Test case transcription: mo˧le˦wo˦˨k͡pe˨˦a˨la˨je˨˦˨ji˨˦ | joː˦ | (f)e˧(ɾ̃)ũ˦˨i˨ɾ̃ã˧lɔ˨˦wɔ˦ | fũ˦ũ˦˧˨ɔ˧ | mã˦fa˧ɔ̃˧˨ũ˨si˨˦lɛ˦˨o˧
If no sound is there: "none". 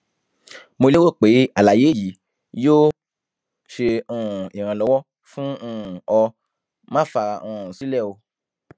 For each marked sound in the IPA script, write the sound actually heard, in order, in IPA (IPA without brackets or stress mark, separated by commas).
ʃ, none